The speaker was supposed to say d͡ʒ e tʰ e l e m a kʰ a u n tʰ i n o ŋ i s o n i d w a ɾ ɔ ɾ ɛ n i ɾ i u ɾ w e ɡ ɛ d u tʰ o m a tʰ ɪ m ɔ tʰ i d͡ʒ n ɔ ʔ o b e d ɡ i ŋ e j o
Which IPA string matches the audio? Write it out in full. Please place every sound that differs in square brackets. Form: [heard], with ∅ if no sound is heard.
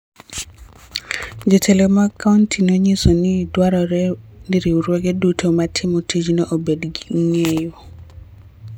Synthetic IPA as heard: d͡ʒ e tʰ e l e m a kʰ a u n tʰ i n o [ɲ] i s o n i d w a ɾ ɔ ɾ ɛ n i ɾ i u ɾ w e ɡ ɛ d u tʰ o m a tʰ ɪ m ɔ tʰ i d͡ʒ n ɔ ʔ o b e d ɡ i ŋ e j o